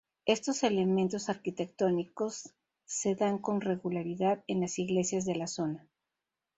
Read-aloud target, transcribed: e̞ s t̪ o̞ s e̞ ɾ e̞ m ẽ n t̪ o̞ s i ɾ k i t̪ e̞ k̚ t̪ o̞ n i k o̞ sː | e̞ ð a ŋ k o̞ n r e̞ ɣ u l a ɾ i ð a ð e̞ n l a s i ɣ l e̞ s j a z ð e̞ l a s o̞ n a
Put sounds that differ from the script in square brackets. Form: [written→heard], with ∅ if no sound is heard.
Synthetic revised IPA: e̞ s t̪ o̞ s e̞ [ɾ→l] e̞ m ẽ n t̪ o̞ s [i→a] ɾ k i t̪ e̞ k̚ t̪ o̞ n i k o̞ sː | e̞ ð a ŋ k o̞ n r e̞ ɣ u l a ɾ i ð a ð e̞ n l a s i ɣ l e̞ s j a z ð e̞ l a s o̞ n a